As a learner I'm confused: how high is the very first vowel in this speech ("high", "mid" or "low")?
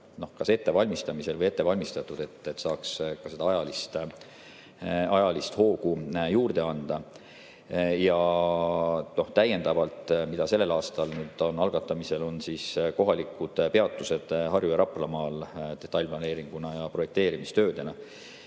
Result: mid